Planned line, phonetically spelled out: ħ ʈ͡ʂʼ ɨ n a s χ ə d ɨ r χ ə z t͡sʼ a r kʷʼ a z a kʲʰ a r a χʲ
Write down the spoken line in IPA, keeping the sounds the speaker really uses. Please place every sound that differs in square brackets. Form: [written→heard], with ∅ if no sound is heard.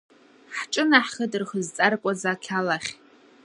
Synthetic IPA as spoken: ħ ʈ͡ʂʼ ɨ n a [s→ħ] χ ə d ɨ r χ ə z t͡sʼ a r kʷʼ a z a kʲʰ a [r→l] a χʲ